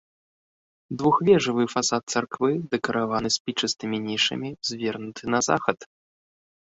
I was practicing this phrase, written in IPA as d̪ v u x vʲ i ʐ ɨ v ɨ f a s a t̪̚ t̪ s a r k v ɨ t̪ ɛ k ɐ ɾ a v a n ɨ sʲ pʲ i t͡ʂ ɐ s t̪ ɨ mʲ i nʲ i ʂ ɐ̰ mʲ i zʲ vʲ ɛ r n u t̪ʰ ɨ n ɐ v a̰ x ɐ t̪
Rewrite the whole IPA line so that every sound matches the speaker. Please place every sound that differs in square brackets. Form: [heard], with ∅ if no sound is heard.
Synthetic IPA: d̪ v u x vʲ [ɛ] ʐ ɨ v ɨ f a s a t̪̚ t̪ s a r k v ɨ [d̪] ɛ k ɐ ɾ a v a n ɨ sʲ pʲ i t͡ʂ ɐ s t̪ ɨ mʲ i nʲ i ʂ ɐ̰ mʲ i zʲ vʲ ɛ r n u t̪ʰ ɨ n ɐ [z] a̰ x ɐ t̪

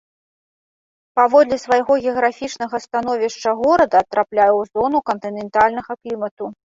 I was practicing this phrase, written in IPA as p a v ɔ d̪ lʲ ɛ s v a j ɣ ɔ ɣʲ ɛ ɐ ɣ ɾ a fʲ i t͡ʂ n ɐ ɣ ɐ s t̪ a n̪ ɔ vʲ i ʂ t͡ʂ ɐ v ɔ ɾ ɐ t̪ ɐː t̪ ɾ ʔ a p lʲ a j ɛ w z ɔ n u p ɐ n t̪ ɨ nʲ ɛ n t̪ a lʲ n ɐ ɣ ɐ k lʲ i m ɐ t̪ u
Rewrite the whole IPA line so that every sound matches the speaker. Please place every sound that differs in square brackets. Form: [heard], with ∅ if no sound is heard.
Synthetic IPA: p a v ɔ d̪ lʲ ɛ s v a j ɣ ɔ ɣʲ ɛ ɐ ɣ ɾ a fʲ i t͡ʂ n ɐ ɣ ɐ s t̪ a n̪ ɔ vʲ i ʂ t͡ʂ ɐ [ɣ] ɔ ɾ ɐ [d̪] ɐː t̪ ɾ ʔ a p lʲ a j ɛ w z ɔ n u [k] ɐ n t̪ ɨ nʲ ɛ n t̪ a lʲ n ɐ ɣ ɐ k lʲ i m ɐ t̪ u

